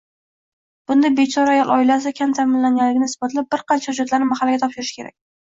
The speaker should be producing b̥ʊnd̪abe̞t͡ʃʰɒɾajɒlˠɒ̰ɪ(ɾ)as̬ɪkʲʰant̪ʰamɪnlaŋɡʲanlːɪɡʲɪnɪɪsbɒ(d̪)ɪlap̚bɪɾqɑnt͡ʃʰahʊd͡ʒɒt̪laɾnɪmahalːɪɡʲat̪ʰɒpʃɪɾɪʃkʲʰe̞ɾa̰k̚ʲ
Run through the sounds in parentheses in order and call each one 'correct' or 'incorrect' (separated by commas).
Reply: incorrect, incorrect